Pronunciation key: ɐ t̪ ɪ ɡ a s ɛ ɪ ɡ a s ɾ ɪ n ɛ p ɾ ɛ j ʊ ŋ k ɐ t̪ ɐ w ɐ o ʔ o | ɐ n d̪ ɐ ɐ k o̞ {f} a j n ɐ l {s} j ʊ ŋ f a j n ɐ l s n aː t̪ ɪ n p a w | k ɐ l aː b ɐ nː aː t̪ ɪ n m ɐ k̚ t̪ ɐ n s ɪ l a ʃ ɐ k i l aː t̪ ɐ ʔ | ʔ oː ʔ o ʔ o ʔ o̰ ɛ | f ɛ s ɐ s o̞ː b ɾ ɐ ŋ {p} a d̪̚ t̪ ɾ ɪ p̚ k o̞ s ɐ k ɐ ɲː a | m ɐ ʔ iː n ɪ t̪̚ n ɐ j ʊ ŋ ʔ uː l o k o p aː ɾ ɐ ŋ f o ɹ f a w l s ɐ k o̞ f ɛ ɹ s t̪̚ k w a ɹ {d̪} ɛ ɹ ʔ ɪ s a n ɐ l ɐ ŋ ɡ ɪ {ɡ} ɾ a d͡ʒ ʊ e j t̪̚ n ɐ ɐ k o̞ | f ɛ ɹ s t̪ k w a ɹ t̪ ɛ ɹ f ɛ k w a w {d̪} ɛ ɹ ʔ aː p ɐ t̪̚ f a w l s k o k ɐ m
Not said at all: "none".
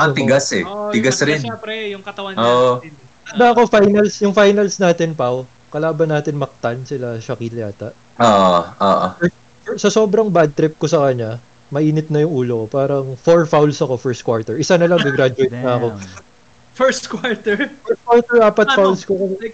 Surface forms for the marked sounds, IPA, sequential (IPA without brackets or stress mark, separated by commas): f, s, b, t̪, ɡ, t̪